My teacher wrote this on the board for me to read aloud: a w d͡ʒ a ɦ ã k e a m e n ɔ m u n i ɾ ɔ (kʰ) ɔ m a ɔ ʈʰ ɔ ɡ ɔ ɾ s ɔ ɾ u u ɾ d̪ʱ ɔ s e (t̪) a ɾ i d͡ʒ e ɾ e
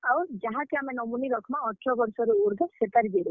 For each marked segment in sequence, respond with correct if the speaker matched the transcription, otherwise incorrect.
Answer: correct, correct

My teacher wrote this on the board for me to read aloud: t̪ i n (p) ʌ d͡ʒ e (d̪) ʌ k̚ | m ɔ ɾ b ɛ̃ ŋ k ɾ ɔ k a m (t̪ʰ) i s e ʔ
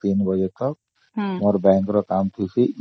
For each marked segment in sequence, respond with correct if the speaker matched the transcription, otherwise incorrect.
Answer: incorrect: b, incorrect: t̪, correct

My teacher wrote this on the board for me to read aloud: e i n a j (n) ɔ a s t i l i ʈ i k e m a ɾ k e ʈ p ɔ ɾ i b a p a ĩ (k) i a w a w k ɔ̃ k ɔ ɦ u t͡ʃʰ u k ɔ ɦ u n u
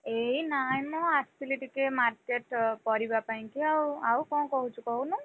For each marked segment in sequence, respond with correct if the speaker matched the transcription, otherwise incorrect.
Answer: incorrect: m, correct

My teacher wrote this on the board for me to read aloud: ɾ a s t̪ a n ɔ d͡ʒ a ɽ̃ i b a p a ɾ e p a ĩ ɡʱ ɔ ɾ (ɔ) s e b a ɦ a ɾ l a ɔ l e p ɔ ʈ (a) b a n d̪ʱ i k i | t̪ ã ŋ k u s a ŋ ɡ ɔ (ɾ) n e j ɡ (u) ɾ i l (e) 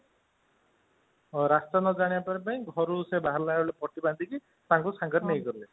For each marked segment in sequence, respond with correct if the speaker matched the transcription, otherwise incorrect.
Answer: incorrect: u, incorrect: i, correct, incorrect: ɔ, correct

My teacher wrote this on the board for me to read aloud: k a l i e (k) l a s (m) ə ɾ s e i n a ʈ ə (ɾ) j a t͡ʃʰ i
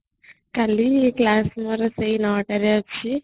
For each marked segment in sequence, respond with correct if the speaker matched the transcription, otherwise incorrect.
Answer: correct, correct, correct

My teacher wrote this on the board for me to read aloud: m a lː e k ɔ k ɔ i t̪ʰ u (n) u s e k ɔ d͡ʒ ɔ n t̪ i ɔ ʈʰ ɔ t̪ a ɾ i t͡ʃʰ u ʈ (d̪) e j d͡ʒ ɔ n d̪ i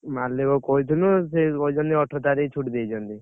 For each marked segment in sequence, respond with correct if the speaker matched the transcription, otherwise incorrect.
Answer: correct, correct

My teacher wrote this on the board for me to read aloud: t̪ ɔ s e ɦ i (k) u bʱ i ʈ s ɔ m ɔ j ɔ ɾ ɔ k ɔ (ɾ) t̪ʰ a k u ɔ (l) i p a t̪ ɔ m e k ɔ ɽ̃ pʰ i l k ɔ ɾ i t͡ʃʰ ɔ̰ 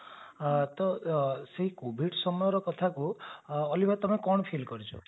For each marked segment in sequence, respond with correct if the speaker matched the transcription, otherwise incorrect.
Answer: correct, incorrect: none, correct

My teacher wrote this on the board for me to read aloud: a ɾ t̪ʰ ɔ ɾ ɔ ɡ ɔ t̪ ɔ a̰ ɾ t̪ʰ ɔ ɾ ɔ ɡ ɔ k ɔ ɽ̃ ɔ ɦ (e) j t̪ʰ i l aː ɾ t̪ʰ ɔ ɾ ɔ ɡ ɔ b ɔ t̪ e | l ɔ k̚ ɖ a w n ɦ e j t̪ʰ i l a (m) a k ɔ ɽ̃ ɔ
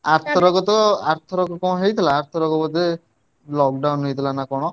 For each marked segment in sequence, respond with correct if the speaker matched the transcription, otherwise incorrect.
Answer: correct, incorrect: n

